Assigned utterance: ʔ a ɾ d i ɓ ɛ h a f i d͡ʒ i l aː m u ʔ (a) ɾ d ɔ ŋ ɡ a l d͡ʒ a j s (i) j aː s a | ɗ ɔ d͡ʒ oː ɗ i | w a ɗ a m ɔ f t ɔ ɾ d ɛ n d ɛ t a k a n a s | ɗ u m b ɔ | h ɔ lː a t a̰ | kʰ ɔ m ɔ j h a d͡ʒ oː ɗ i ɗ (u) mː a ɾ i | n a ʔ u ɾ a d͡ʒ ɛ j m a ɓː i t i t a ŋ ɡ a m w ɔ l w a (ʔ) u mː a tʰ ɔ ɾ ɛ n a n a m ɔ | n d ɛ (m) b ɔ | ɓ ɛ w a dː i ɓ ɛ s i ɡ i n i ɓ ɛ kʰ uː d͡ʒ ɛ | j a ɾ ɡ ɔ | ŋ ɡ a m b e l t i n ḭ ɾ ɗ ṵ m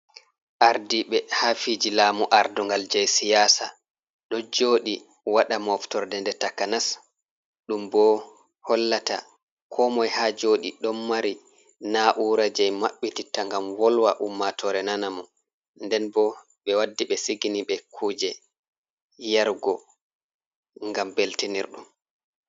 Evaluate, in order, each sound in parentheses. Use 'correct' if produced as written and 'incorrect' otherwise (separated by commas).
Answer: correct, correct, incorrect, correct, incorrect